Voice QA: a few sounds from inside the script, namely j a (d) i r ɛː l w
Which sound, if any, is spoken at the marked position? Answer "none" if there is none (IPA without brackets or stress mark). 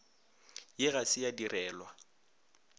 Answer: d